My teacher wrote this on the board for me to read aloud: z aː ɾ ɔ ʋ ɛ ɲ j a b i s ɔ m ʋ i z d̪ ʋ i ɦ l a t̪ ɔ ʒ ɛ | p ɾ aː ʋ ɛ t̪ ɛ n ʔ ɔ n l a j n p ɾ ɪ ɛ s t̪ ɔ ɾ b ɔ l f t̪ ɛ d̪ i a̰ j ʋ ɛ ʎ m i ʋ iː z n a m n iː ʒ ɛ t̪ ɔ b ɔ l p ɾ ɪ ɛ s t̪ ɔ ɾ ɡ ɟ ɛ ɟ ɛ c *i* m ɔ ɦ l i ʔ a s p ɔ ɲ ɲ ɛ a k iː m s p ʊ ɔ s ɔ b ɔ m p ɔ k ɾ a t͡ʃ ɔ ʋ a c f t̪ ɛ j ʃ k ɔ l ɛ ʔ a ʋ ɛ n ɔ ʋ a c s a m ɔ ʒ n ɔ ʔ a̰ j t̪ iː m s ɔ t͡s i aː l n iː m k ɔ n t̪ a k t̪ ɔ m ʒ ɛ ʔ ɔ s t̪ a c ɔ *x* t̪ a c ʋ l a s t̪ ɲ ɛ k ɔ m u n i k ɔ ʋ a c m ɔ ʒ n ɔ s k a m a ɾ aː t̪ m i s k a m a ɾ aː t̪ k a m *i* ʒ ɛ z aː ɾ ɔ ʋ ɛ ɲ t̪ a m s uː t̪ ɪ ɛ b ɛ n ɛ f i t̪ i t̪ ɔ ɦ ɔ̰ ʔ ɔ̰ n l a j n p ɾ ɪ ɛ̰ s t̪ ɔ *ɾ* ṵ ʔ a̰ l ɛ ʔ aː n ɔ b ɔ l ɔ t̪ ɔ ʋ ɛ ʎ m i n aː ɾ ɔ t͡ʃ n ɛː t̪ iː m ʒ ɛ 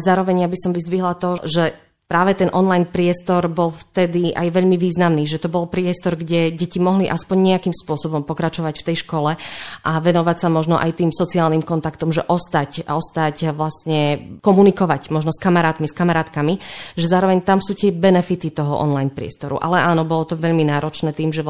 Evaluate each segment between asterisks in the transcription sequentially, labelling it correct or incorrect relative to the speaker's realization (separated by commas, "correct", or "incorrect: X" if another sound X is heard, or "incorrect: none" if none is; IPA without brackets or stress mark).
correct, incorrect: s, correct, correct